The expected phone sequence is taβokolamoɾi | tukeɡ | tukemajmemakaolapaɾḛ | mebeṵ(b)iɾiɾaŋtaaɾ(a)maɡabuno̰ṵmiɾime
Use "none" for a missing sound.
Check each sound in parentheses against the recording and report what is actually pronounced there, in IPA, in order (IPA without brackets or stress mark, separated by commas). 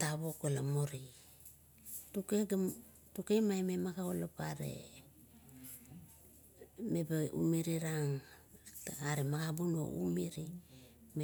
m, e